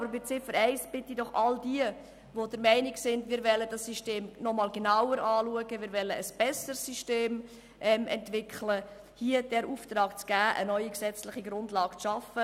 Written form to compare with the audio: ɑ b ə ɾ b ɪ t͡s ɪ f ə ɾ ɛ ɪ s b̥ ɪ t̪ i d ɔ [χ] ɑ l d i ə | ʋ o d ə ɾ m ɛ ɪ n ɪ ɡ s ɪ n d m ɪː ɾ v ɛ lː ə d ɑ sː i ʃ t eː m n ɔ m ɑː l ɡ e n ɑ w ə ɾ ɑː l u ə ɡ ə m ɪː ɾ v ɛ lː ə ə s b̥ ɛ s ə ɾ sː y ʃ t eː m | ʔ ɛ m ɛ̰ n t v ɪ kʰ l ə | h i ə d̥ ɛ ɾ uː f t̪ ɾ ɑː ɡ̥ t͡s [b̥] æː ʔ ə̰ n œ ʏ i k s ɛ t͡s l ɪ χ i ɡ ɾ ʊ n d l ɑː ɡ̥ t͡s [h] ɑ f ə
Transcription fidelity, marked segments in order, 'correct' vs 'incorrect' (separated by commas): correct, incorrect, incorrect